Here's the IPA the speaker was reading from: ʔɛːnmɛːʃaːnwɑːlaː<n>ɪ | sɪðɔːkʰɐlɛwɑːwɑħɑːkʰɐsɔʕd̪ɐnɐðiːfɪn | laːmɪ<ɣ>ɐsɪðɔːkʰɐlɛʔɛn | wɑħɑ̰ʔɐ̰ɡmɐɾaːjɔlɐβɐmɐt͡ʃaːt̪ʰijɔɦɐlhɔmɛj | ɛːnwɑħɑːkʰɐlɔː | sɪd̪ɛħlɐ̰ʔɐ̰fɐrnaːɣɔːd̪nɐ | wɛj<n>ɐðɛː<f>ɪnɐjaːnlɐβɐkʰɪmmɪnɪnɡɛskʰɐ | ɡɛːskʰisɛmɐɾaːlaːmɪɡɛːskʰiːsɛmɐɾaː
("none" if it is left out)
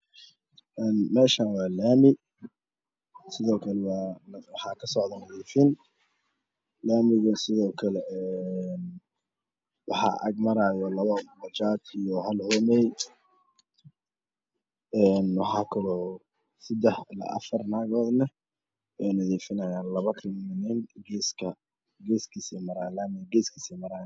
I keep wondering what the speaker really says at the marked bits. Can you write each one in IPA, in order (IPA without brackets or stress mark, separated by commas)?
m, ɣ, n, f